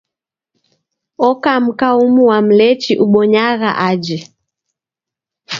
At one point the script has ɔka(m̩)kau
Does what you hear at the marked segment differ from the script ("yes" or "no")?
no